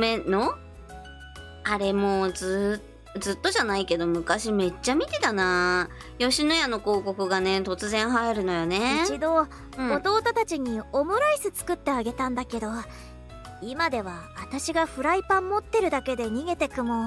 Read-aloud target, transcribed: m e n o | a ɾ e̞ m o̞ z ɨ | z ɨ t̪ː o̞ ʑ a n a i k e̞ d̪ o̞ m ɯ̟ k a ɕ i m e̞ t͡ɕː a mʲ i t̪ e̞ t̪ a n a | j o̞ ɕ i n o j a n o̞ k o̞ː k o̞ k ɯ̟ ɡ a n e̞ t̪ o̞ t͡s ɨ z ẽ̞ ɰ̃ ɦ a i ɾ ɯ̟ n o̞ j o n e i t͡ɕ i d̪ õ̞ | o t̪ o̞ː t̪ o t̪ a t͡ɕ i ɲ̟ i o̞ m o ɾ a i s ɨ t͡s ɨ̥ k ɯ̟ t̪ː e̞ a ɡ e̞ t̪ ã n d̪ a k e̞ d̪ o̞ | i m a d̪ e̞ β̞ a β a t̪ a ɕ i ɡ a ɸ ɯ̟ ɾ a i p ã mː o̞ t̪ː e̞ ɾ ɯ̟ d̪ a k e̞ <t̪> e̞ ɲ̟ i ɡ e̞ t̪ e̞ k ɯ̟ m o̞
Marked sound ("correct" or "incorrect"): incorrect